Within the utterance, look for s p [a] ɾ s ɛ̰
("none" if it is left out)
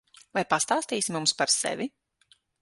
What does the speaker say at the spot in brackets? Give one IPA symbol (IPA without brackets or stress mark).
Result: a